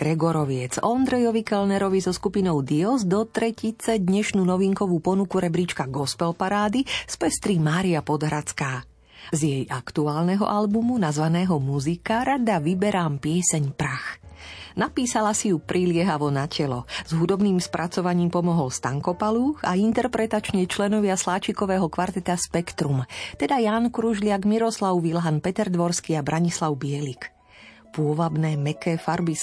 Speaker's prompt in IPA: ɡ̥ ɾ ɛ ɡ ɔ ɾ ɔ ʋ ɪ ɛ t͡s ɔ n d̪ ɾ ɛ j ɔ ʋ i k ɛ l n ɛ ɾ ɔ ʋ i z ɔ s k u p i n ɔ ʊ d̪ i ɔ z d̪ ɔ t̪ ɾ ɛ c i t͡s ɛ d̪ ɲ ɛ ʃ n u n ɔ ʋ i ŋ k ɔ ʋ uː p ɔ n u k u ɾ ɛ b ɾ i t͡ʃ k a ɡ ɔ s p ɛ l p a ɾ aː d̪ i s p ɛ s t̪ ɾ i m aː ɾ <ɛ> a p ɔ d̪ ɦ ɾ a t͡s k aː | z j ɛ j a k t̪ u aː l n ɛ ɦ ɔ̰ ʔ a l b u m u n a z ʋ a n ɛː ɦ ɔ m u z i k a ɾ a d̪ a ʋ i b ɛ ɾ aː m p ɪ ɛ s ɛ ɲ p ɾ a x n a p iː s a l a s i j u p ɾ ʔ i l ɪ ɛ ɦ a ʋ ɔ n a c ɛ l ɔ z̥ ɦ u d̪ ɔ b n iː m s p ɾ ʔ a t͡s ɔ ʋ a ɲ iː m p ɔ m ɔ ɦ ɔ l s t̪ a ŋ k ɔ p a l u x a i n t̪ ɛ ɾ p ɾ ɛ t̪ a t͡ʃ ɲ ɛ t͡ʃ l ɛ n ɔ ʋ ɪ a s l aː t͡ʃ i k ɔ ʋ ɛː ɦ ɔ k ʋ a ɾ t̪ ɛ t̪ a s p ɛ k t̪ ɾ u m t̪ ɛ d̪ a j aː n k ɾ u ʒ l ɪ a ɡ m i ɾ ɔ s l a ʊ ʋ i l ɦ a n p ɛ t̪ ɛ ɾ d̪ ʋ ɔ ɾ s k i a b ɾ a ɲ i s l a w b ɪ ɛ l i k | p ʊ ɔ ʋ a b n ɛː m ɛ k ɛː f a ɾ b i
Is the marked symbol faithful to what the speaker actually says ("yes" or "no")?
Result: no